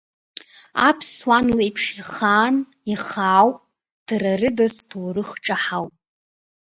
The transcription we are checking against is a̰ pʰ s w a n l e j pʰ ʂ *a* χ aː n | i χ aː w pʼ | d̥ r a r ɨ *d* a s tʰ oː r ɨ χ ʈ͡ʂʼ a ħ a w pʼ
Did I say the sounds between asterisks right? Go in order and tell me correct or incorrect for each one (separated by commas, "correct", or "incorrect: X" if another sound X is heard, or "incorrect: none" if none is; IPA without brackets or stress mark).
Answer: incorrect: i, correct